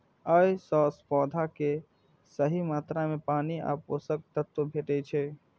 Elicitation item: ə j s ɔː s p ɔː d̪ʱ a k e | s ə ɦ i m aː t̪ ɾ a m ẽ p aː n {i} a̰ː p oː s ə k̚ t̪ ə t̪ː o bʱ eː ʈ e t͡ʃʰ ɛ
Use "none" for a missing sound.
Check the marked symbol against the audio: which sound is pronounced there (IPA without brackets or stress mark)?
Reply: i